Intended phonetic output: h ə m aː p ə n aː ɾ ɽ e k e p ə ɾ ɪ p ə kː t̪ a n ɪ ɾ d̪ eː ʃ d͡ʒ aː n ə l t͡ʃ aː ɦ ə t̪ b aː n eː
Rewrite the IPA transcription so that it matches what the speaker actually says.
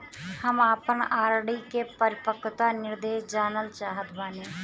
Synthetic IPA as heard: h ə m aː p ə n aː ɾ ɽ i k e p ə ɾ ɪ p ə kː t̪ a n ɪ ɾ d̪ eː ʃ d͡ʒ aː n ə l t͡ʃ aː ɦ ə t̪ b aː n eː